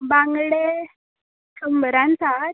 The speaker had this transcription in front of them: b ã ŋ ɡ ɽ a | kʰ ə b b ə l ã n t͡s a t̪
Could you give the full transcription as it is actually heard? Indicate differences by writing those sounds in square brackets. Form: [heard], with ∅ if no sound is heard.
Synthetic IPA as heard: b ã ŋ ɡ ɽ [e] | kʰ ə [m] b ə [ɾ] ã n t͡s a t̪

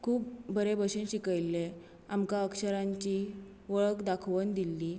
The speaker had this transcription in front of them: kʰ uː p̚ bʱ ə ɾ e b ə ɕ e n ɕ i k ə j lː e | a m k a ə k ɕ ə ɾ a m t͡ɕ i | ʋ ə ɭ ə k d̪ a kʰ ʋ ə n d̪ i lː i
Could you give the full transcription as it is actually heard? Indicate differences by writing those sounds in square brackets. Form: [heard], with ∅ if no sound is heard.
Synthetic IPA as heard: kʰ uː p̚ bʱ ə ɾ e b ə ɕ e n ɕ i k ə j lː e | a m k a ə k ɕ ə ɾ a [ɲ] t͡ɕ i | ʋ ə ɭ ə k d̪ a kʰ ʋ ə n d̪ i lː i

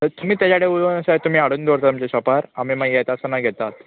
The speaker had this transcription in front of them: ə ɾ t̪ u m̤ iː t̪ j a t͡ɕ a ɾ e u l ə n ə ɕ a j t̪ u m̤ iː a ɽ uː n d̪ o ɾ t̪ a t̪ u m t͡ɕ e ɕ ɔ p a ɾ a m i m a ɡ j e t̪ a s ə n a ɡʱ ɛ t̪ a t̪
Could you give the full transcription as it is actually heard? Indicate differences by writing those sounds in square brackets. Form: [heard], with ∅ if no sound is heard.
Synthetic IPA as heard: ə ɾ t̪ u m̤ iː t̪ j a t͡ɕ a [ɽ] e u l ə n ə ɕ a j t̪ u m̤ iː a ɽ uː n d̪ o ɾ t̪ a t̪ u m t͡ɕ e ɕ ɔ p a ɾ a m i m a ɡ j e t̪ a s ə n a ɡʱ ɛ t̪ a t̪

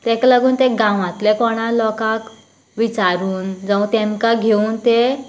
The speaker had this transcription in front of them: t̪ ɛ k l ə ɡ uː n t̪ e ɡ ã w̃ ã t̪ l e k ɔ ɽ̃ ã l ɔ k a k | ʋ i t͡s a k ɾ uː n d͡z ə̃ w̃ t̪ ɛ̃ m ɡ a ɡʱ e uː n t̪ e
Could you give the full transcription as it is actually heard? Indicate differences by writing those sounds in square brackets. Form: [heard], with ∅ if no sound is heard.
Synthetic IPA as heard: t̪ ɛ k l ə ɡ uː n t̪ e ɡ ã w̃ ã t̪ l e k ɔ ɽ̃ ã l ɔ k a k | ʋ i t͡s a [∅] ɾ uː n d͡z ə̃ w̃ t̪ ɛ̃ m [k] a ɡʱ e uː n t̪ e

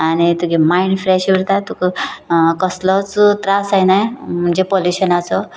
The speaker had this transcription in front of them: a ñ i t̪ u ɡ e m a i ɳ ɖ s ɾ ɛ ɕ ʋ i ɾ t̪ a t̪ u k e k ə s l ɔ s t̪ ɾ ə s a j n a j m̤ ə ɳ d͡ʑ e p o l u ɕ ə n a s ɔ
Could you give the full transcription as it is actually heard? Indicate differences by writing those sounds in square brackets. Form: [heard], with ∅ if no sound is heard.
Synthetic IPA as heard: a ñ i t̪ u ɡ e m a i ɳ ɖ [f] ɾ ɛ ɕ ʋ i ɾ t̪ a t̪ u k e k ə s l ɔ [t͡s] t̪ ɾ [a] s a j n a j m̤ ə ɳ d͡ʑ e p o l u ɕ ə n a [t͡s] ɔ

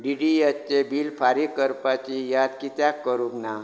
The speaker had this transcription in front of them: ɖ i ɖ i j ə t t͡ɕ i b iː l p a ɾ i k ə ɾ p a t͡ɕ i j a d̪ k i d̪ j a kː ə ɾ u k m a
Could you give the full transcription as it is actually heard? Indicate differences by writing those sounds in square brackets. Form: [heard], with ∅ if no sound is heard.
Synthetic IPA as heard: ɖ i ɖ i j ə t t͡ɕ [e] b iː l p a ɾ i k ə ɾ p a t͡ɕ i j a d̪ k i [t̪] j a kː ə ɾ u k [n] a

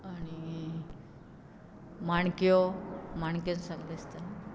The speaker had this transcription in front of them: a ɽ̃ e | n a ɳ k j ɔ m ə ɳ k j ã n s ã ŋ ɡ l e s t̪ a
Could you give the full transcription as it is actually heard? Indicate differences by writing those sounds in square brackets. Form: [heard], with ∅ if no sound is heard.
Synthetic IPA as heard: a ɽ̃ [i] | [m] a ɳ k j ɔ m [a] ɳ k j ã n s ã ŋ ɡ l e s t̪ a

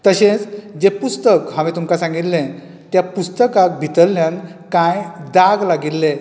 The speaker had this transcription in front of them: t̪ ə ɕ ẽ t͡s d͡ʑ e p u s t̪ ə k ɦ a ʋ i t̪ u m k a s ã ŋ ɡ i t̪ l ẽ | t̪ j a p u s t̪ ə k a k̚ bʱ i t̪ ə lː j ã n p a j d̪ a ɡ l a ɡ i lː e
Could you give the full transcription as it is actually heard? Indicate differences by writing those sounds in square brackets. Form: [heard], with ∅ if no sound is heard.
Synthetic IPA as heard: t̪ ə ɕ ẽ t͡s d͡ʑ e p u s t̪ ə k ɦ a ʋ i t̪ u m k a s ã ŋ ɡ i t̪ l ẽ | t̪ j a p u s t̪ ə k a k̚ bʱ i t̪ ə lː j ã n [k] a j d̪ a ɡ l a ɡ i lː e

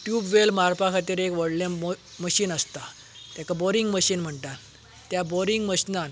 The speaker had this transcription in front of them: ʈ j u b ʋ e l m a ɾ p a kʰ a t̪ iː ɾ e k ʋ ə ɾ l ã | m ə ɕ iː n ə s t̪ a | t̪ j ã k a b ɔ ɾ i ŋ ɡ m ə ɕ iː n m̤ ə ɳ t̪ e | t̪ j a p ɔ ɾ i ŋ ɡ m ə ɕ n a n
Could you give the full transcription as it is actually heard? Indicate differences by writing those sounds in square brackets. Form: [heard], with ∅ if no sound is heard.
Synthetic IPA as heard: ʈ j u b ʋ e l m a ɾ p a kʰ a t̪ iː ɾ e k ʋ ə [ɽ] l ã | m ə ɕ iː n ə s t̪ a | t̪ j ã k a b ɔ ɾ i ŋ ɡ m ə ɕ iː n m̤ ə ɳ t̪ [a] | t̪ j a [b] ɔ ɾ i ŋ ɡ m ə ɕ n a n

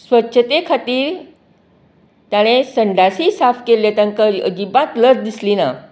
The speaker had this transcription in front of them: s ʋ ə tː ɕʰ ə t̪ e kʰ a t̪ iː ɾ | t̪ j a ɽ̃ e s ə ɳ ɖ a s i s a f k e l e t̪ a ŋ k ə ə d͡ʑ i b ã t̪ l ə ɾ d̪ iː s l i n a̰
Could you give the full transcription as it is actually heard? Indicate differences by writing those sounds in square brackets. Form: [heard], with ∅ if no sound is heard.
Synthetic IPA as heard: s ʋ ə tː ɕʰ ə t̪ e kʰ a t̪ iː ɾ | t̪ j a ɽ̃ e s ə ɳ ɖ a s i s a f k e l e t̪ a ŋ k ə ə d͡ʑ i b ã t̪ l ə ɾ d̪ [i] s l i n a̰

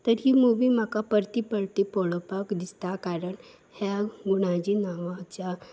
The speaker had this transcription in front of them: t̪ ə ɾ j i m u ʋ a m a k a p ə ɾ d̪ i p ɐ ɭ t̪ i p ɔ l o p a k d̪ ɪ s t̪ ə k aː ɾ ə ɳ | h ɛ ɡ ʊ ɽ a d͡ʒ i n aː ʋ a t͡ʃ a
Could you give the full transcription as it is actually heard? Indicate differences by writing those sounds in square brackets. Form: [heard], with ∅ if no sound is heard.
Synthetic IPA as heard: t̪ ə ɾ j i m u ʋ [i] m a k a p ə ɾ [t̪] i p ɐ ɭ t̪ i p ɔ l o p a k d̪ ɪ s t̪ [a] k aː ɾ ə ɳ | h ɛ ɡ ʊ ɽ a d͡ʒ i n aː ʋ a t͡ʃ a

